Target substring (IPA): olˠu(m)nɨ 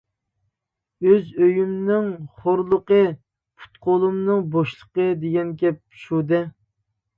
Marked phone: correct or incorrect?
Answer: correct